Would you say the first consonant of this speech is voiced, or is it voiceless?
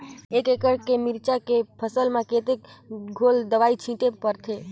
voiceless